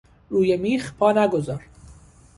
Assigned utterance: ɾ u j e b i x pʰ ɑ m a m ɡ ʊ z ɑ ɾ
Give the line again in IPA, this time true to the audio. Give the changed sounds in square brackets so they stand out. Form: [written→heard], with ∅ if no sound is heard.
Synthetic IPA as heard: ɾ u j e [b→m] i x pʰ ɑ [m→n] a [m→∅] ɡ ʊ z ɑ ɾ

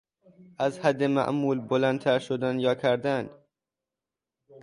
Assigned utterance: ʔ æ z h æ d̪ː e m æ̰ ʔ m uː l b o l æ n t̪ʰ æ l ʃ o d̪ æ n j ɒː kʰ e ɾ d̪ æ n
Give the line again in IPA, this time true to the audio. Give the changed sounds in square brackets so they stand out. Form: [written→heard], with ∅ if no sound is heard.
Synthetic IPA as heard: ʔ æ z h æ d̪ː e m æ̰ ʔ m uː l b o l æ n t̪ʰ æ [l→ɾ] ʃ o d̪ æ n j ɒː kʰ [e→æ] ɾ d̪ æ n

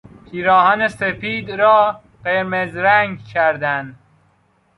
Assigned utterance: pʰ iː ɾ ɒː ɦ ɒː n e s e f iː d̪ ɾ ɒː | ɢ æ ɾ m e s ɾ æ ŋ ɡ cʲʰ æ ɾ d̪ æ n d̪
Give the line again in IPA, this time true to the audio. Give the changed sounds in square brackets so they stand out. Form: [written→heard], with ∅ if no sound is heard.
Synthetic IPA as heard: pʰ iː ɾ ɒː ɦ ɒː n e s e f iː d̪ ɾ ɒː | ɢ [æ→e] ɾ m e [s→z] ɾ æ ŋ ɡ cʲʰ æ ɾ d̪ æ n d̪

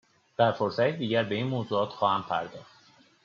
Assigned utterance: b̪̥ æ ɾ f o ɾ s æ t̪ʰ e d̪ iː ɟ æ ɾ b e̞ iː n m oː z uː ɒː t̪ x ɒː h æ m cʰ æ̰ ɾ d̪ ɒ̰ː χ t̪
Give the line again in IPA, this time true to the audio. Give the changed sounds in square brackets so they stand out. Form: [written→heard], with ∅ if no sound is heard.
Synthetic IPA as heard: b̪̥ æ ɾ f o ɾ s æ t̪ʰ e d̪ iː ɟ æ ɾ b e̞ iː n m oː z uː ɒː t̪ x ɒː h æ m [cʰ→pʰ] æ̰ ɾ d̪ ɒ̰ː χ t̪

